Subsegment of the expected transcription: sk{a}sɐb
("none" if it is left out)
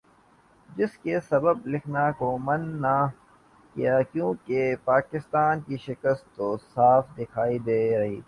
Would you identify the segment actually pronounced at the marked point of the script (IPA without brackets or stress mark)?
e